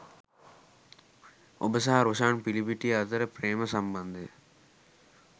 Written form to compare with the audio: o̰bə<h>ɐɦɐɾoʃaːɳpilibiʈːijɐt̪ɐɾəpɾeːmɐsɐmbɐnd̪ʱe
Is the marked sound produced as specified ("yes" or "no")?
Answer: no